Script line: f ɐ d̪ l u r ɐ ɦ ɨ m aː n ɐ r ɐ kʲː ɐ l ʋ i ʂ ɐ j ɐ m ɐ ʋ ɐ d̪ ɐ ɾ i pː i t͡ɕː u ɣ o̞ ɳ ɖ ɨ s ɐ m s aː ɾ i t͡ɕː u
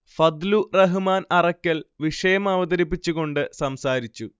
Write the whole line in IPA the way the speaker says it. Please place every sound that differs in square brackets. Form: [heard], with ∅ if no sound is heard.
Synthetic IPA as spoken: f ɐ d̪ l u r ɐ ɦ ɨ m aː n ɐ r ɐ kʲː ɐ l ʋ i ʂ ɐ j ɐ m ɐ ʋ ɐ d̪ ɐ ɾ i pː i t͡ɕː u ɣ o̞ ɳ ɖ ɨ s ɐ m s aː ɾ i t͡ɕː u